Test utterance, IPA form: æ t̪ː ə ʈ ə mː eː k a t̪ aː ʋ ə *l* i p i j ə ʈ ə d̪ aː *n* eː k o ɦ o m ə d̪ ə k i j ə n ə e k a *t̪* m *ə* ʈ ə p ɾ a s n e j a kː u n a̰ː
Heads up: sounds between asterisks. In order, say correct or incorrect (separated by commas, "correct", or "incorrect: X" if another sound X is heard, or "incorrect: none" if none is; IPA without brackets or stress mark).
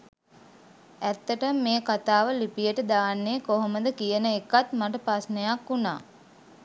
correct, incorrect: nː, correct, incorrect: a